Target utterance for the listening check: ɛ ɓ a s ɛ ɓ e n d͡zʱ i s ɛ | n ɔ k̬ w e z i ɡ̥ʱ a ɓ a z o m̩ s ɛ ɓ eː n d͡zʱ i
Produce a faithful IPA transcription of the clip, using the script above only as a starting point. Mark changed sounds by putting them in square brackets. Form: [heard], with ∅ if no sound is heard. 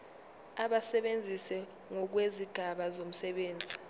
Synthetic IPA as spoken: [a] ɓ a s ɛ ɓ e n d͡zʱ i s ɛ | [ŋ] ɔ k̬ w e z i ɡ̥ʱ a ɓ a z o m̩ s ɛ ɓ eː n d͡zʱ i